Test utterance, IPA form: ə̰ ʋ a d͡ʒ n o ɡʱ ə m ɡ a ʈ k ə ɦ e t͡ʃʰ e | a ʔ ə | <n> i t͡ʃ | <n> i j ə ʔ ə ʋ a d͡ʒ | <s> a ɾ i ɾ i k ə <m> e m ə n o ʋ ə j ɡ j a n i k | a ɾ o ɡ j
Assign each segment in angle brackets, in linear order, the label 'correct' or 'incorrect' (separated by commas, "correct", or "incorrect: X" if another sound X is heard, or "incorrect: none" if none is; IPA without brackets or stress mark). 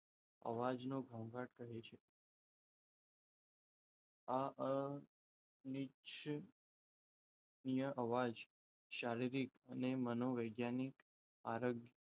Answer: correct, correct, incorrect: ʃ, incorrect: n